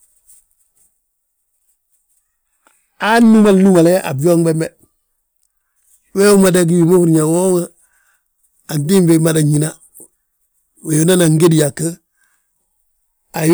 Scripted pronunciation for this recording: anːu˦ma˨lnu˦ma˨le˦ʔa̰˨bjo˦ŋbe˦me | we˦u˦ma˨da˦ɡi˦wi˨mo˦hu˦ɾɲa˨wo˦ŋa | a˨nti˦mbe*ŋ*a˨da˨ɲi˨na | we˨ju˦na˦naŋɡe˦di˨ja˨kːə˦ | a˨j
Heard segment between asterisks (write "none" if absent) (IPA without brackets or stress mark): m